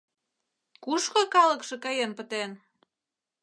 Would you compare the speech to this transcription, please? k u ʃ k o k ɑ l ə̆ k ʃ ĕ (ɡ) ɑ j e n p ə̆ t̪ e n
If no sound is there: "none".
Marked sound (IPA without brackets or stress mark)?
k